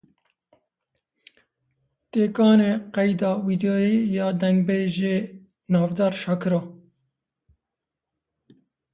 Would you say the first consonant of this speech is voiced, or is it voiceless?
voiceless